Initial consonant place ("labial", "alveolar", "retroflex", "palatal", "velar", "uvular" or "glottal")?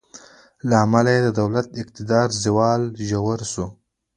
alveolar